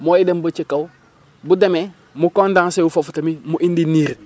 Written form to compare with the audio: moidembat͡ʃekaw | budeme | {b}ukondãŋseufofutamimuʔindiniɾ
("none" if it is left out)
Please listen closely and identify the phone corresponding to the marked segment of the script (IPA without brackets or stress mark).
m